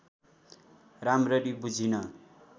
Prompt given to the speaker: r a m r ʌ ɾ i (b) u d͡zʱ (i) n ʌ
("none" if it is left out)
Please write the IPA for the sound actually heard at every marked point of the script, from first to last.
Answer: b, i

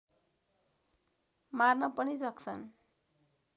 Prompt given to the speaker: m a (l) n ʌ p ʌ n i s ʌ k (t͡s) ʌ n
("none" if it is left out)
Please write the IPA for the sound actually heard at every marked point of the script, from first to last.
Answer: r, t͡sʰ

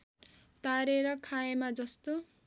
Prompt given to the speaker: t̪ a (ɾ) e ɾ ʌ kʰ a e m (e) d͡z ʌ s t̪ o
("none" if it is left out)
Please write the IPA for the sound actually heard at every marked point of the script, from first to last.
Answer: ɾ, a

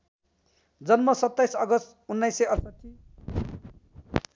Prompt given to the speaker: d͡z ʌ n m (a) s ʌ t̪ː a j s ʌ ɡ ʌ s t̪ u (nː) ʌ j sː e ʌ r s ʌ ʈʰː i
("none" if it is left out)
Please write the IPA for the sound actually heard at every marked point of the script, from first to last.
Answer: ʌ, nː

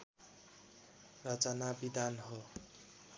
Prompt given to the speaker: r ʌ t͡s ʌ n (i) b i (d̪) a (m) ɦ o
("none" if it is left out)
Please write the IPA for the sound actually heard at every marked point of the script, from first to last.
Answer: a, d̪, n

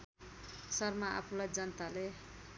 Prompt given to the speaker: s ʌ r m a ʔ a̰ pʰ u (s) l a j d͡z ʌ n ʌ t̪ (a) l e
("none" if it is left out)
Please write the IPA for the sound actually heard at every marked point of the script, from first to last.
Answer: none, a

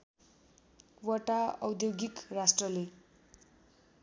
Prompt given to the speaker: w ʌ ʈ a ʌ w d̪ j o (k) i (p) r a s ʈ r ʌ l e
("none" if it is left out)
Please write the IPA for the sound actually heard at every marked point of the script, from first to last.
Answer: ɡ, k

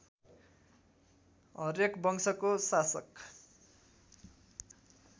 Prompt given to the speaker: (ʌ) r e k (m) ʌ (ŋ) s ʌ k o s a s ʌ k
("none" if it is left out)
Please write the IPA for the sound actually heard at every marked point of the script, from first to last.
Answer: ʌ, b, ŋ

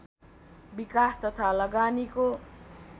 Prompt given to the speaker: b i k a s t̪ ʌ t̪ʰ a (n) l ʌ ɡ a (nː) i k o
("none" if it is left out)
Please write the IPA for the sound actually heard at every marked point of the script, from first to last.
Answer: none, n

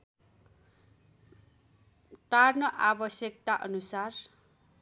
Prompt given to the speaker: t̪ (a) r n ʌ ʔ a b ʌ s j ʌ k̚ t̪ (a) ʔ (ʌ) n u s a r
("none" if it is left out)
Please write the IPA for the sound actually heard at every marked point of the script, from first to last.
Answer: a, a, ʌ

